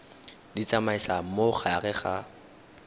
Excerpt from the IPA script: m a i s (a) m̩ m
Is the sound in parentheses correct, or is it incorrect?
correct